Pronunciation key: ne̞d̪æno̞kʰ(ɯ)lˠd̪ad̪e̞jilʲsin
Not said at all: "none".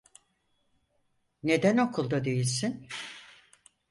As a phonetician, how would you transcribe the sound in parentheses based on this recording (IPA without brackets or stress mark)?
u